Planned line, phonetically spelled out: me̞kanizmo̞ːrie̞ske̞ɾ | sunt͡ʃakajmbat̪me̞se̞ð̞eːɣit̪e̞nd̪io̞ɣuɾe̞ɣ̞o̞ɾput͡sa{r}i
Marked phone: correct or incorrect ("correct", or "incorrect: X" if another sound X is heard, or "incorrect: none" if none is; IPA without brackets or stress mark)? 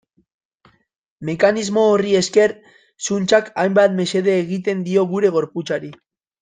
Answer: incorrect: ɾ